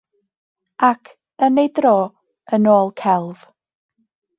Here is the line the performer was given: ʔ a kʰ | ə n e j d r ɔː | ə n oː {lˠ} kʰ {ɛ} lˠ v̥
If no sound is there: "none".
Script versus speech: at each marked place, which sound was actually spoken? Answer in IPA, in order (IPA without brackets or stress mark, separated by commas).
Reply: lˠ, ɛ